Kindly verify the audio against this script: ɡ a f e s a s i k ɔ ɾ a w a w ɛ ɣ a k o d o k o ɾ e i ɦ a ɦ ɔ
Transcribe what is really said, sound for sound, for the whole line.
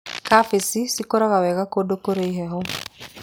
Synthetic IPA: k a f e s i s i k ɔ ɾ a ɣ a w ɛ ɣ a k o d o k o ɾ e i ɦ ɛ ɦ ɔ